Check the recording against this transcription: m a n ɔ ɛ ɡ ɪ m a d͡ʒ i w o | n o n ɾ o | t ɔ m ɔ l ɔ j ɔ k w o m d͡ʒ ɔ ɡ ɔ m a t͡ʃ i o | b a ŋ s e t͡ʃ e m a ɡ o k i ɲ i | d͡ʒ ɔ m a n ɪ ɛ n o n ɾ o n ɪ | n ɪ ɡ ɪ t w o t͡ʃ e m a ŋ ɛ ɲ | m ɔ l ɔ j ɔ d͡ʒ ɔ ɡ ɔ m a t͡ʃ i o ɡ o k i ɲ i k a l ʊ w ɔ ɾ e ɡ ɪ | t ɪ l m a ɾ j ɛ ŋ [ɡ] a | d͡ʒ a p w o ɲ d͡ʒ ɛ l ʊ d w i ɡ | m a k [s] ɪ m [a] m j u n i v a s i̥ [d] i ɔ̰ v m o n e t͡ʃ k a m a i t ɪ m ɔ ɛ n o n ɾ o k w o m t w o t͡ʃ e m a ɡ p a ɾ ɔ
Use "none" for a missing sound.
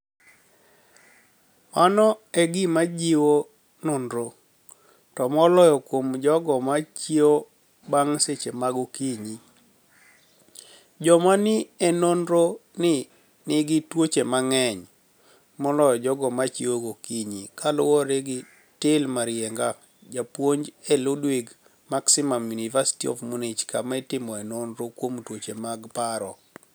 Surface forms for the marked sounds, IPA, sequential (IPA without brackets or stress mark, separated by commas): ɡ, s, a, t